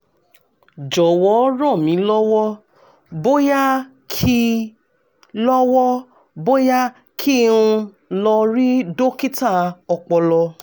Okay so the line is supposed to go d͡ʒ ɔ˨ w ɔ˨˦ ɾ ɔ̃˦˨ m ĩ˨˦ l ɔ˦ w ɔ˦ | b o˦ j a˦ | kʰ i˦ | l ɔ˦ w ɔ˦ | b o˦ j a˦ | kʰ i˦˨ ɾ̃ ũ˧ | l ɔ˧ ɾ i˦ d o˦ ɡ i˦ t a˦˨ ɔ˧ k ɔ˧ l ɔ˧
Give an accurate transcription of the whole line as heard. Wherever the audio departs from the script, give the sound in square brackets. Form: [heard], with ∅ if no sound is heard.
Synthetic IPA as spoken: d͡ʒ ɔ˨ w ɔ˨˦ ɾ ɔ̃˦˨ m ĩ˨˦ l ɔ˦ w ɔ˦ | b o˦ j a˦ | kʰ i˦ | l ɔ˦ w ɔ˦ | b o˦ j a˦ | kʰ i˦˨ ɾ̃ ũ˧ | l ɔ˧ ɾ i˦ d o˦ [k] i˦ t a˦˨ ɔ˧ [k͡p] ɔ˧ l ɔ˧